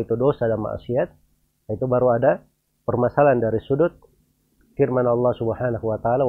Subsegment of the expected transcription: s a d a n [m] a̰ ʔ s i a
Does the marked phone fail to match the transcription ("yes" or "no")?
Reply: no